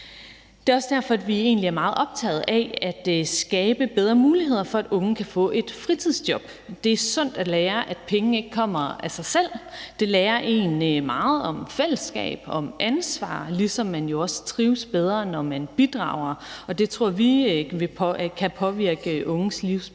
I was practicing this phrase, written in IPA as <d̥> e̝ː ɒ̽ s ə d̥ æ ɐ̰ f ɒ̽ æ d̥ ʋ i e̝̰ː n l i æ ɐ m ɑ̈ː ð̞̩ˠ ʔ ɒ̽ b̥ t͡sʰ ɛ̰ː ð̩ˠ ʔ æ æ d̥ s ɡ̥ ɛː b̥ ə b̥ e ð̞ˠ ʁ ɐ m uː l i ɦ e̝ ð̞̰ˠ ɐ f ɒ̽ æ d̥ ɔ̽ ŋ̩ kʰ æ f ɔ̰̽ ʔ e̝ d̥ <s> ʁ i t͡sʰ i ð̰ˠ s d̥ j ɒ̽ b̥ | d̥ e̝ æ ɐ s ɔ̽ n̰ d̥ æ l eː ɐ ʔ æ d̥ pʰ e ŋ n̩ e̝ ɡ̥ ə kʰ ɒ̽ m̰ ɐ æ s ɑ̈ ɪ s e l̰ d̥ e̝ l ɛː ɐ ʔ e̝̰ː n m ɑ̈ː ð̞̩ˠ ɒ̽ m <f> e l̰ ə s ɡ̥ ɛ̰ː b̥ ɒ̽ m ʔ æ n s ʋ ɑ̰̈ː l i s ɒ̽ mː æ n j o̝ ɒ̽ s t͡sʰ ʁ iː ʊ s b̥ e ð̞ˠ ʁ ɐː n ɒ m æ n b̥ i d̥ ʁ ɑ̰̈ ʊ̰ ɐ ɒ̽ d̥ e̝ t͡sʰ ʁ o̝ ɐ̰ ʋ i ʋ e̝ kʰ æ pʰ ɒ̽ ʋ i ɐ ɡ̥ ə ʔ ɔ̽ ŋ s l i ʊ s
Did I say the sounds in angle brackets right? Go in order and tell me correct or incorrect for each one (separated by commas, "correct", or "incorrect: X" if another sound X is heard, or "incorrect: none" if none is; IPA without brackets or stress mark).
correct, incorrect: f, correct